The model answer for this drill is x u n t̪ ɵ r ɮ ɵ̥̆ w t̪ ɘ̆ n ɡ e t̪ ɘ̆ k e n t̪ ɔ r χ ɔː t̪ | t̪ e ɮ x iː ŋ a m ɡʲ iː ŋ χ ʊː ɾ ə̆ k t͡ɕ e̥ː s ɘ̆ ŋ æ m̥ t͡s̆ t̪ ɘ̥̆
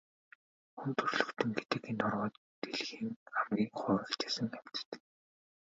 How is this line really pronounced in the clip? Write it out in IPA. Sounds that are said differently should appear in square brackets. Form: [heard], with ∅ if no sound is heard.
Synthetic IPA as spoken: x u n t̪ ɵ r ɮ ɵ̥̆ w t̪ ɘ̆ [ŋ] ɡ e t̪ ɘ̆ k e n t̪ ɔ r [ʁ] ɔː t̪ | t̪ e ɮ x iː ŋ a m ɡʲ iː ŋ χ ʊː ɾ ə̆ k t͡ɕ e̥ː s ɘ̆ ŋ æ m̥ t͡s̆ t̪ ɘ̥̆